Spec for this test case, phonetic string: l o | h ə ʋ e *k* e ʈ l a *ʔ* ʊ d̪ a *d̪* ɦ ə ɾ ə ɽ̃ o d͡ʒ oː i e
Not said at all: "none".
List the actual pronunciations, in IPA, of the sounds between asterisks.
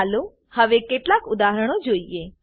k, k, none

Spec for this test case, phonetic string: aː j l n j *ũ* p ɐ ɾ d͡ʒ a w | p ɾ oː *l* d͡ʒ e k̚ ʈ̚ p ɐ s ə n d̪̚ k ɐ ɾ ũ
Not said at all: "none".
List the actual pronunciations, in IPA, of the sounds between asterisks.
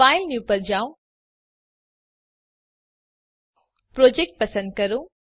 u, none

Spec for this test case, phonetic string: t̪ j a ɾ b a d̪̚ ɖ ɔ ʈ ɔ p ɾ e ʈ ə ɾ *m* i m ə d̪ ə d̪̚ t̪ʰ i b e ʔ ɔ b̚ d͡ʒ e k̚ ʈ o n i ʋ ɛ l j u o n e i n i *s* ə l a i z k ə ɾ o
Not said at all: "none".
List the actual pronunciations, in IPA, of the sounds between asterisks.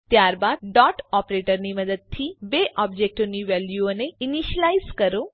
n, ʃ

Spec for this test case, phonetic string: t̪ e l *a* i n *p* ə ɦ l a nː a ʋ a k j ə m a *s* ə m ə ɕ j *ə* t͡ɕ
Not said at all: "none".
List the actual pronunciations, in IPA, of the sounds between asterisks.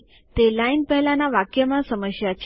a, p, s, a

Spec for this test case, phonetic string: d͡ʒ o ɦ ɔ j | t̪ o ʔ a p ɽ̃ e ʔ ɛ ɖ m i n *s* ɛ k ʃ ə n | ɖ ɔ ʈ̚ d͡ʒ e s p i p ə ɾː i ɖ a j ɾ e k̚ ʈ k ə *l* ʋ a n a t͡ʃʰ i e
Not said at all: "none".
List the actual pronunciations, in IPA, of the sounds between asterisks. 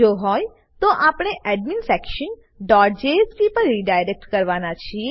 f, ɾ

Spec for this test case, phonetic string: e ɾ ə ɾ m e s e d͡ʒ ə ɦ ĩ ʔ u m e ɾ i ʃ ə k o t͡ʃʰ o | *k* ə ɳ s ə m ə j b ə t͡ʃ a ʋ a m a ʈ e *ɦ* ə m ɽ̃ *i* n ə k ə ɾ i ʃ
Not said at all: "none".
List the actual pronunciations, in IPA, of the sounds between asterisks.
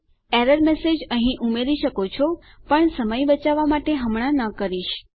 p, ɦ, a

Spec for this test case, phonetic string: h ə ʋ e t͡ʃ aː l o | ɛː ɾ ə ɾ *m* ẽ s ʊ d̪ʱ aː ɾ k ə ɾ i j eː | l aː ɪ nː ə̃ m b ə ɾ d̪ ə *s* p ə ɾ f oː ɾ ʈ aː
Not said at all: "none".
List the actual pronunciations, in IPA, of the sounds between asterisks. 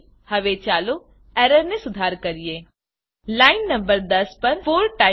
n, s

